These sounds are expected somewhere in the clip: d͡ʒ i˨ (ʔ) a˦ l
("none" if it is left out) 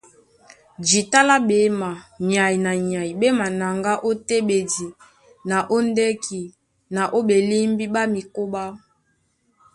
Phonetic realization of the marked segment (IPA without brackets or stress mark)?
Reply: t